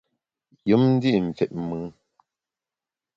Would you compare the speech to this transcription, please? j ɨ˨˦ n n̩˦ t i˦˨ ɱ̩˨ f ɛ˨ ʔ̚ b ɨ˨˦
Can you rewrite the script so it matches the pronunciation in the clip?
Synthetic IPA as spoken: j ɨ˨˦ m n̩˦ d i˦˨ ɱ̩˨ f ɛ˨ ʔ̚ m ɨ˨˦